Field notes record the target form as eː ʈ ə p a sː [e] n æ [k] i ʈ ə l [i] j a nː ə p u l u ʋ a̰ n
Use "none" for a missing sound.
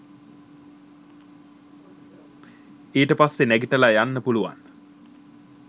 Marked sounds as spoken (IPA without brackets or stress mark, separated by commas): e, ɡ, a